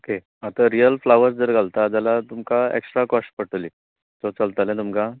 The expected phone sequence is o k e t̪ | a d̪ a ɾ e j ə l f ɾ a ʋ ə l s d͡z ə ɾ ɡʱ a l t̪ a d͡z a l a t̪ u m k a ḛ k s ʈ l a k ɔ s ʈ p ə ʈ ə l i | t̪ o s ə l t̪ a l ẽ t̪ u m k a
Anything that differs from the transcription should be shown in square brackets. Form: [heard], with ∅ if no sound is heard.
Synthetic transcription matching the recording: o k e [∅] | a [t̪] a ɾ [i] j ə l f [l] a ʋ ə [ɾ] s d͡z ə ɾ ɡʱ a l t̪ a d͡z a l a t̪ u m k a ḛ k s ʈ [ɾ] a k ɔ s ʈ p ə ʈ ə l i | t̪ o [t͡s] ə l t̪ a l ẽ t̪ u m k a